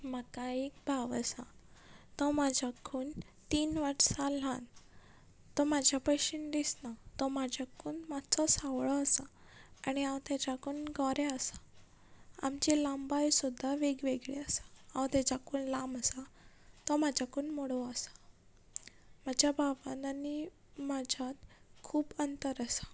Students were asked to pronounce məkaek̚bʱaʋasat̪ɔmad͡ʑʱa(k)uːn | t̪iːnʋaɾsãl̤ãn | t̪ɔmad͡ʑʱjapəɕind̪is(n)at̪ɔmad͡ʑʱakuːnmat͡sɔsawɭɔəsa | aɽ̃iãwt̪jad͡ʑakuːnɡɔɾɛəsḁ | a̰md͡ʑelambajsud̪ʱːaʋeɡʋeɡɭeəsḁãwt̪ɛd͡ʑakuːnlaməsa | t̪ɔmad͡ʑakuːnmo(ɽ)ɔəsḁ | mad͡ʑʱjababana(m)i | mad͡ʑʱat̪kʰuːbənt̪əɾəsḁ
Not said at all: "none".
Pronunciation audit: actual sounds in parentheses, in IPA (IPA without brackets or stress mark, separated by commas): kʰ, n, ɽ, n